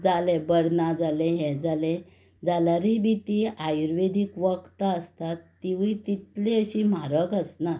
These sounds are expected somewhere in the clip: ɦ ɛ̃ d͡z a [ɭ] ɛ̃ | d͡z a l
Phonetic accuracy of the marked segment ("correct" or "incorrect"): incorrect